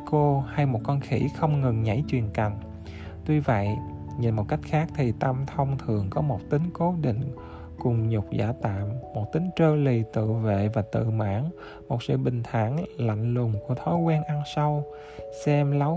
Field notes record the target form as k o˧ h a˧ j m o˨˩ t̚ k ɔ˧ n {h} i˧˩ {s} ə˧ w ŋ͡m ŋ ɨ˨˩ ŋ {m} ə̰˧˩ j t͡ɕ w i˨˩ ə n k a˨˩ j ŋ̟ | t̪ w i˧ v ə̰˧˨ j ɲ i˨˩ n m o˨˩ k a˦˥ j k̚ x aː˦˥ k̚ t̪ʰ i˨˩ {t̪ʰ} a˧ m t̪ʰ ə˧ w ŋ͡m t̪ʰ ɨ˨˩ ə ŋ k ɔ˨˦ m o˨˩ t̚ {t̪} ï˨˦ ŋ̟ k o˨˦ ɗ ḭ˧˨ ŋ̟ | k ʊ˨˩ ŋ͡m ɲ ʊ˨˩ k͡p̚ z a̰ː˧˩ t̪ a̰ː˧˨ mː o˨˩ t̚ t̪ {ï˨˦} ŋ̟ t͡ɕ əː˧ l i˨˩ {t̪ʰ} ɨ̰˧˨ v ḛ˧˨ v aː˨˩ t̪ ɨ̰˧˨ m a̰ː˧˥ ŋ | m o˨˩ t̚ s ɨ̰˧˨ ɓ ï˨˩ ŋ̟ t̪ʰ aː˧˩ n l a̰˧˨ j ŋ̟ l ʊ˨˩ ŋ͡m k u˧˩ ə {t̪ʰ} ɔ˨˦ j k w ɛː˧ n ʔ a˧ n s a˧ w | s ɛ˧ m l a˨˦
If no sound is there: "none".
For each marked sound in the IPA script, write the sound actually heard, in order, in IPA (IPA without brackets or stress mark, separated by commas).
x, x, ɲ, t̪, t̪, ï˨˦, t̪, t̪ʰ